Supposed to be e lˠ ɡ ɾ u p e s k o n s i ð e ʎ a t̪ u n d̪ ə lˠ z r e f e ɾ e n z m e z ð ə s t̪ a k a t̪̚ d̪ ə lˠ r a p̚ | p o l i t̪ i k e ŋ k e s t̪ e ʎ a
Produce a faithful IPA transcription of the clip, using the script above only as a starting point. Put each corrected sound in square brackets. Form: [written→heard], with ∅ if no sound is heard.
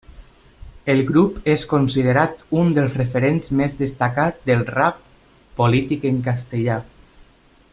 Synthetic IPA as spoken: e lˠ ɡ ɾ u p e s k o n s i ð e [ʎ→ɾ] a t̪ u n d̪ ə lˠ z r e f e ɾ e n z m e z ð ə s t̪ a k a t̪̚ d̪ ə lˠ r a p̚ | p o l i t̪ i k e ŋ k [e→a] s t̪ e ʎ a